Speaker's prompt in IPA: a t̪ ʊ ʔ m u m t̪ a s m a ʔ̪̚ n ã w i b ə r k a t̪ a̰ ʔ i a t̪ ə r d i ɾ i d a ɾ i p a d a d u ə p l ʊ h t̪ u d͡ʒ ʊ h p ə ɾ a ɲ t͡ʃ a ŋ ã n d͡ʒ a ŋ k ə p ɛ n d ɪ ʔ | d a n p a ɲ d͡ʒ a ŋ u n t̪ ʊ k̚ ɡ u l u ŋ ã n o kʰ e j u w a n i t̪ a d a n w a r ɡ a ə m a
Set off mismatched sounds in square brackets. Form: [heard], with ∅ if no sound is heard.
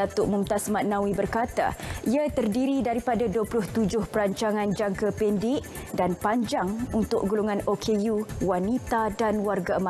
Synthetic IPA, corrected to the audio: a t̪ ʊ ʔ m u m t̪ a s m a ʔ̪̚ n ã w i b ə r k a t̪ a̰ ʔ i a t̪ ə r d i ɾ i d a ɾ i p a d a d u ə p l ʊ h t̪ u d͡ʒ ʊ h p ə ɾ a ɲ t͡ʃ a ŋ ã n d͡ʒ a ŋ k ə p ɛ n d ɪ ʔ | d a n p a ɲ d͡ʒ a ŋ u n t̪ ʊ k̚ ɡ u l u ŋ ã n o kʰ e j u w a n i t̪ a d a n w a r ɡ a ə m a